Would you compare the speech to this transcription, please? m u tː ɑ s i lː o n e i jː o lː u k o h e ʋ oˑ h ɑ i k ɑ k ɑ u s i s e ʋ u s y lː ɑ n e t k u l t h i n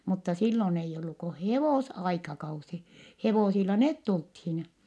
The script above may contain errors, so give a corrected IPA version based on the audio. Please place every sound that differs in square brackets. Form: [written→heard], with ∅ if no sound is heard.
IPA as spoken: m u tː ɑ s i lː o n e i jː o lː u k o h e ʋ oˑ [h→s] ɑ i k ɑ k ɑ u s i [s→h] e ʋ [u→o] s [y→i] lː ɑ n e t [k→t] u l t h i n